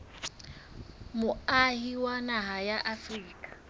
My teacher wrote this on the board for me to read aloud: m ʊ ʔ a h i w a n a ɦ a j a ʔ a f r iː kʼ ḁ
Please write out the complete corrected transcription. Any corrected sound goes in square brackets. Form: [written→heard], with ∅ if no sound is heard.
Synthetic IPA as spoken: m ʊ [ʔ→∅] a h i w a n a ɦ a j a ʔ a f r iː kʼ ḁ